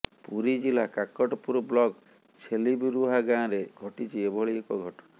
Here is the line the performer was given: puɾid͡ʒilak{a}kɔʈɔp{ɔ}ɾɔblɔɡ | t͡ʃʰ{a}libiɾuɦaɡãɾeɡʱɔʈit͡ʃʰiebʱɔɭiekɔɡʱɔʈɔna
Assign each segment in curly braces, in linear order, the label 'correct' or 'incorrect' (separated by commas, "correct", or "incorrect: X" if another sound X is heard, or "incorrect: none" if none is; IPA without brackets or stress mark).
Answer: correct, incorrect: u, incorrect: e